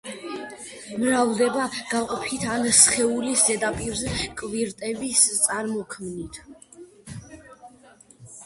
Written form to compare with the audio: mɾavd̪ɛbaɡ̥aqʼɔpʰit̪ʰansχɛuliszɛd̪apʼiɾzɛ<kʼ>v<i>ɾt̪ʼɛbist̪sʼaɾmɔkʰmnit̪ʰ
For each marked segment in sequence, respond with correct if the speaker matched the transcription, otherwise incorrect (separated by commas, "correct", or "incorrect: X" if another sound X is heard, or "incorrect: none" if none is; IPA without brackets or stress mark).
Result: correct, correct